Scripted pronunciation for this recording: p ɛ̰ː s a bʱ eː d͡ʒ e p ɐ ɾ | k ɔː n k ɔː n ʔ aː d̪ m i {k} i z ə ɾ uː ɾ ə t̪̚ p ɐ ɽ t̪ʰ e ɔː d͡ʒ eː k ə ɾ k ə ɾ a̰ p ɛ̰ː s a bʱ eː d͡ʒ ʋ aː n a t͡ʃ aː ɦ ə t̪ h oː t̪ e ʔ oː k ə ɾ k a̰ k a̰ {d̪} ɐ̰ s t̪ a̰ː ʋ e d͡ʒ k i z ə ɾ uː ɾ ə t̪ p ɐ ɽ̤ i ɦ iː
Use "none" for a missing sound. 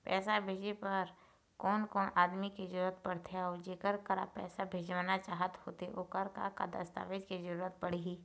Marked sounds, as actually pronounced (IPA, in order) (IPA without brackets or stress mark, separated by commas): k, d̪